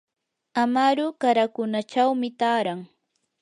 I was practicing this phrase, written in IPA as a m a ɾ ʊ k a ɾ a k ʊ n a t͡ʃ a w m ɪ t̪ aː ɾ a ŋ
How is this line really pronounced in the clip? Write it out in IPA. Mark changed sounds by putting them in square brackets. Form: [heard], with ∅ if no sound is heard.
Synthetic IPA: a m a ɾ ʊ k a ɾ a k ʊ n a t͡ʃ a w m ɪ t̪ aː ɾ a ŋ